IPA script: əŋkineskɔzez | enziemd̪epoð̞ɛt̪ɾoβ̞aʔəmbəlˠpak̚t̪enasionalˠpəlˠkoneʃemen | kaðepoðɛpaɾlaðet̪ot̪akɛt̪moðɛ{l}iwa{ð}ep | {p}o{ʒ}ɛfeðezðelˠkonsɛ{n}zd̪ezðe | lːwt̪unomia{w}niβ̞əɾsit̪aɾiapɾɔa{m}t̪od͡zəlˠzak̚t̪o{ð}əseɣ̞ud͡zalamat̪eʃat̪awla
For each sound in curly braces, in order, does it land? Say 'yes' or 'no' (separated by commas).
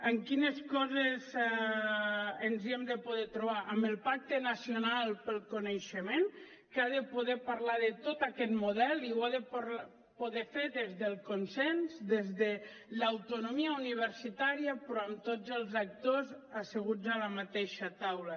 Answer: yes, yes, yes, no, yes, no, yes, no